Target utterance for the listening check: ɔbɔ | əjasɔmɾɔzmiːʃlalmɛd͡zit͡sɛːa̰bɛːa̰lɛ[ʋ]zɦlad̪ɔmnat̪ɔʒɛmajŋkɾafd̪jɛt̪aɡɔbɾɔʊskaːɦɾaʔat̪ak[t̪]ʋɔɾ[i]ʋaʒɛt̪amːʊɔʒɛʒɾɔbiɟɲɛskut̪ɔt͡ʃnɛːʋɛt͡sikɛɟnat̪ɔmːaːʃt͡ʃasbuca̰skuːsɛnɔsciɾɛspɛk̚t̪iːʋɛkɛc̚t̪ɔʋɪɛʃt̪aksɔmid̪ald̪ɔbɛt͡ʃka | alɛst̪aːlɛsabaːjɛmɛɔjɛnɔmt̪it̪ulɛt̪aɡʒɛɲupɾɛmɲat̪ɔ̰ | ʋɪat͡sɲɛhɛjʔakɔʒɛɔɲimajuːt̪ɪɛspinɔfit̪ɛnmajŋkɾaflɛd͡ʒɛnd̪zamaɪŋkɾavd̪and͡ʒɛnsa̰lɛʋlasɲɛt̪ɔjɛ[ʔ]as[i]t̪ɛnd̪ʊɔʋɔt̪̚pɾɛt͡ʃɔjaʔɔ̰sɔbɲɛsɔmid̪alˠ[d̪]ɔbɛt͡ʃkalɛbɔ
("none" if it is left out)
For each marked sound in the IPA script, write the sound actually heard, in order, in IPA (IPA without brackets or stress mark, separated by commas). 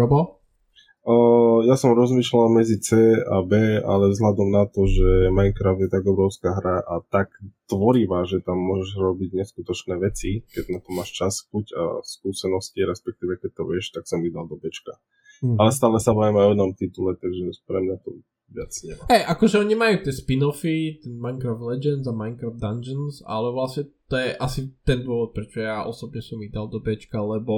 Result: v, t̪, i, ʔ, i, d̪